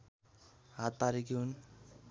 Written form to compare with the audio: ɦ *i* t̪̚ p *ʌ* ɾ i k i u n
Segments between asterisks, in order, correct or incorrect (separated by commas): incorrect, incorrect